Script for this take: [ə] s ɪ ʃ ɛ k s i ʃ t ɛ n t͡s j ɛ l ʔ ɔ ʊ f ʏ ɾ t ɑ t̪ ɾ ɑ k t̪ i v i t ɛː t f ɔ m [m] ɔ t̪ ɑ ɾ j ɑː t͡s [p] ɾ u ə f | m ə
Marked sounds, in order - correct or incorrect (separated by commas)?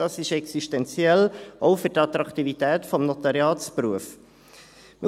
incorrect, incorrect, correct